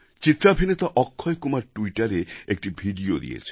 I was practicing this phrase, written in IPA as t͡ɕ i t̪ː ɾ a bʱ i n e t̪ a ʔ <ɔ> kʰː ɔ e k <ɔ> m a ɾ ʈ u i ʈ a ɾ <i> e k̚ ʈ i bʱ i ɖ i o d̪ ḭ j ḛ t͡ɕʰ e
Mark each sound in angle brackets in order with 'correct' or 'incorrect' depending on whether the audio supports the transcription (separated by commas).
correct, incorrect, incorrect